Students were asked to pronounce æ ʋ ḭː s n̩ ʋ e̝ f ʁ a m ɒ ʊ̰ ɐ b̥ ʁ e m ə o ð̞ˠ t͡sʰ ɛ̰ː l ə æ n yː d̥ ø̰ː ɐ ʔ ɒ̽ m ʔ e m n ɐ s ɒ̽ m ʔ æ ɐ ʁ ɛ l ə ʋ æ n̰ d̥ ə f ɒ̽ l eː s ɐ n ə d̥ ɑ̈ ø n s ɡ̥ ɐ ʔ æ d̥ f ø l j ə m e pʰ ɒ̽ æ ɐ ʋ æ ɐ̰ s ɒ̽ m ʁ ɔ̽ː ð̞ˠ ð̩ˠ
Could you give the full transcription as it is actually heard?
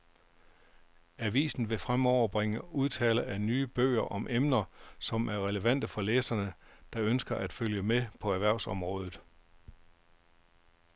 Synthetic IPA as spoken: æ ʋ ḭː s n̩ ʋ e̝ f ʁ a m ɒ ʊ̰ ɐ b̥ ʁ e ŋ ə u ð̞ˠ t͡sʰ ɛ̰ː l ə æ n yː b̥ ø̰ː ɐ ʔ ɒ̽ m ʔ e m n ɐ s ɒ̽ m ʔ æ ɐ ʁ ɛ l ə ʋ æ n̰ d̥ ə f ɒ̽ l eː s ɐ n ə d̥ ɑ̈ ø n s ɡ̥ ɐ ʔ æ d̥ f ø l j ə m e pʰ ɒ̽ æ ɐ ʋ æ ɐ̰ s ɒ̽ m ʁ ɔ̽ː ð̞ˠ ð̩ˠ